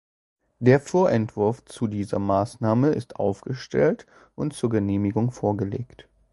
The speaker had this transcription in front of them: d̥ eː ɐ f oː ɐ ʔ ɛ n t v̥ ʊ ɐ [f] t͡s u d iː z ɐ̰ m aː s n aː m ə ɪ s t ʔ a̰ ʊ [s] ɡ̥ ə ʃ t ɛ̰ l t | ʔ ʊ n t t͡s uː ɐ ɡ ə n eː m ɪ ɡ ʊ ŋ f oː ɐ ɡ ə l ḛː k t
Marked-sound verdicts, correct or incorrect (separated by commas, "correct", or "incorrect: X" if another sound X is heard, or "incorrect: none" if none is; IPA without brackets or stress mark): correct, incorrect: f